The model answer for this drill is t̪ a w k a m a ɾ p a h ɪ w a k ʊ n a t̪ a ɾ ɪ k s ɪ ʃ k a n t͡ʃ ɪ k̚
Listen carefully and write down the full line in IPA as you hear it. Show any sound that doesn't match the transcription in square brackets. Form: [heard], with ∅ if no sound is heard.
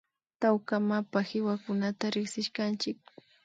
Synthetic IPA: t̪ a w k a m a [∅] p a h ɪ w a k ʊ n a t̪ a ɾ ɪ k s ɪ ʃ k a n t͡ʃ ɪ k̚